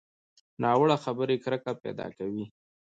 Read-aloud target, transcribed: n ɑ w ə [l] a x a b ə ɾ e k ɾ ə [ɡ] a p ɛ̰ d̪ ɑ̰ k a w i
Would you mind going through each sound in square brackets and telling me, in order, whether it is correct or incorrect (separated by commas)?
incorrect, incorrect